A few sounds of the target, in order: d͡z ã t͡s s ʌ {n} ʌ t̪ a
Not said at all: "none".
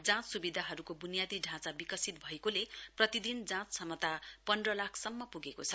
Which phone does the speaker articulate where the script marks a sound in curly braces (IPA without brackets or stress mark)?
m